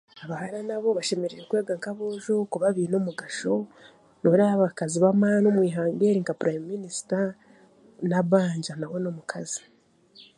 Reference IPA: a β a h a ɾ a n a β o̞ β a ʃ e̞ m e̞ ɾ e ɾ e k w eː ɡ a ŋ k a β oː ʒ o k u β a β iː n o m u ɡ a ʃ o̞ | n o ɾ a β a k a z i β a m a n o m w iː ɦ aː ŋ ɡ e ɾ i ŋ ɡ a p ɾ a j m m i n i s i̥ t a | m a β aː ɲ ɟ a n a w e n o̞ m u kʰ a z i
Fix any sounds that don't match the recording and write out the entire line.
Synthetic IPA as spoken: a β a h a ɾ a n a β o̞ β a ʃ e̞ m e̞ ɾ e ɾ e k w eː ɡ a ŋ k a β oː ʒ o k u β a β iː n o m u ɡ a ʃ o̞ | n o ɾ a β a k a z i β a m a n o m w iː ɦ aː ŋ ɡ e ɾ i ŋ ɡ a p ɾ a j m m i n i s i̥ t a | n a β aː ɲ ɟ a n a w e n o̞ m u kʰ a z i